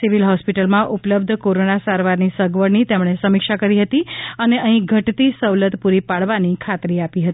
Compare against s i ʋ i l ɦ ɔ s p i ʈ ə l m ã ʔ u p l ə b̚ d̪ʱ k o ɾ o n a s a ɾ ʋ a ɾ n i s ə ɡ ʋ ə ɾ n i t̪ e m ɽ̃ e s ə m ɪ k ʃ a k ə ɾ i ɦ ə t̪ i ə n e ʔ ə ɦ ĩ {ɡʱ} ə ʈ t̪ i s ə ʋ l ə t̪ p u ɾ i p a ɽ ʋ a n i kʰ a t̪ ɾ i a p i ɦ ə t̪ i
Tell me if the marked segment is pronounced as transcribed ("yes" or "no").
yes